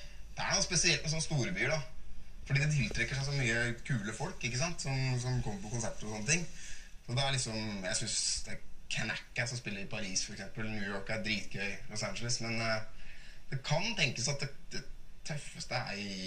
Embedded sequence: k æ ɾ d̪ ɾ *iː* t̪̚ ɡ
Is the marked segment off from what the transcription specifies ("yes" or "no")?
no